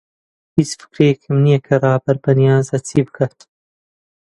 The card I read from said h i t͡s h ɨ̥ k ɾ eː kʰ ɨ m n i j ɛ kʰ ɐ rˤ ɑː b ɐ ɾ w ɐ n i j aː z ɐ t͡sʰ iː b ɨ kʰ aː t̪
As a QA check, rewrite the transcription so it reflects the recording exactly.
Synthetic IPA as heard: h i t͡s f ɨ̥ k ɾ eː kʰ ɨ m n i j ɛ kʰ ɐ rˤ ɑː b ɐ ɾ b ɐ n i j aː z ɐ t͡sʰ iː b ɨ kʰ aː t̪

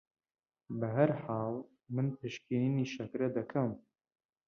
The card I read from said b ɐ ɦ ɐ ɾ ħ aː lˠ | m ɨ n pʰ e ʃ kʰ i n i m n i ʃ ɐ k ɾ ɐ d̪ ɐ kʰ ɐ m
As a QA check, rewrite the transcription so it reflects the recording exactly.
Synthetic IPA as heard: b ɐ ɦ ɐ ɾ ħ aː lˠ | m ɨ n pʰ e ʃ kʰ i n i n i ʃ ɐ k ɾ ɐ d̪ ɐ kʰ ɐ m

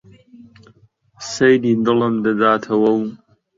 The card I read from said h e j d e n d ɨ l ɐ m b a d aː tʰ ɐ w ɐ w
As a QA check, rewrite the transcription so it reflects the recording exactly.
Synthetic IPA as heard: s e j d i n d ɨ l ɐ m d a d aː tʰ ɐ w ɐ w

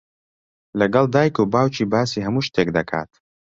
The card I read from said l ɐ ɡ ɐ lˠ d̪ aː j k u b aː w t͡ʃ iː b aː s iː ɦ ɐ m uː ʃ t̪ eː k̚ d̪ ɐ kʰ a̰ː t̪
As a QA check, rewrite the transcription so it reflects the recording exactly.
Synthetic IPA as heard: l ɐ ɡ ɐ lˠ d̪ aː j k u b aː w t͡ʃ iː b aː s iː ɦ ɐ m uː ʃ t̪ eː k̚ d̪ ɐ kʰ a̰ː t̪

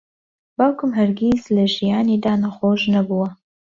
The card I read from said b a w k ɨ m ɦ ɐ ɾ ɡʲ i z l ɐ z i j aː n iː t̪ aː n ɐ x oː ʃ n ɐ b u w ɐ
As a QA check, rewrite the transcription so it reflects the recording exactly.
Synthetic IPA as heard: b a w k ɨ m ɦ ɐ ɾ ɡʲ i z l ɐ ʒ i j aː n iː d̪ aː n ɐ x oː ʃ n ɐ b u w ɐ

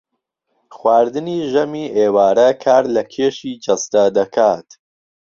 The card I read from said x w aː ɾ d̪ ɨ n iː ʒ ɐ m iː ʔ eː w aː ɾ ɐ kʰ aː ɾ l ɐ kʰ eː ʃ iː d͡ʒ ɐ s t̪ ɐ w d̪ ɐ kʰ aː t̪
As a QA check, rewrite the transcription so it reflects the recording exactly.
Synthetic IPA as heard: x w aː ɾ d̪ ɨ n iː ʒ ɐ m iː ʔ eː w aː ɾ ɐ kʰ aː ɾ l ɐ kʰ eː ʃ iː d͡ʒ ɐ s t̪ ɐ d̪ ɐ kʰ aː t̪

